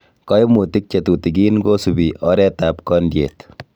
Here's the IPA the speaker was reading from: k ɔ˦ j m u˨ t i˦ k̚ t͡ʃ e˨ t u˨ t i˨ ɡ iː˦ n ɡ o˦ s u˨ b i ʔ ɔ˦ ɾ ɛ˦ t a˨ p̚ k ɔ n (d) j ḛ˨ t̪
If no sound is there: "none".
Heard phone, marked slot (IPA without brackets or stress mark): d